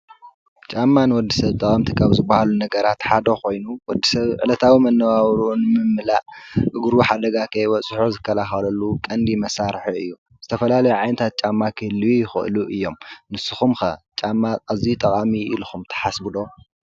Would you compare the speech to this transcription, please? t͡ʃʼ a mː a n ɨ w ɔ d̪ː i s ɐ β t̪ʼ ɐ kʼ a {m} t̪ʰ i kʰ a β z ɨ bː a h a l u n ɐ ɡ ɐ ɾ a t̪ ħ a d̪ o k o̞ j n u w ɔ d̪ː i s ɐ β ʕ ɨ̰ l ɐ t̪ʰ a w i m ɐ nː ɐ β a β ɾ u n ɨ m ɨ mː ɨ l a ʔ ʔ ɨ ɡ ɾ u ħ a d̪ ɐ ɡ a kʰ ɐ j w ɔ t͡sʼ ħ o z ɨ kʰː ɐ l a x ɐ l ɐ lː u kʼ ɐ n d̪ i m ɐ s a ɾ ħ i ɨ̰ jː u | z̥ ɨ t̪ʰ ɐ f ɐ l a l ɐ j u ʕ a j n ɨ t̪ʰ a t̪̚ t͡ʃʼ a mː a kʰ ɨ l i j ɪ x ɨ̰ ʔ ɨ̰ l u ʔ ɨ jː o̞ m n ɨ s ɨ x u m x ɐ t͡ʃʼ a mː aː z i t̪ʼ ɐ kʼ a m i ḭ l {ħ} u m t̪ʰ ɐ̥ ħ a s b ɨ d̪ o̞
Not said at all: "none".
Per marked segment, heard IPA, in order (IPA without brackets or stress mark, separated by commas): m, x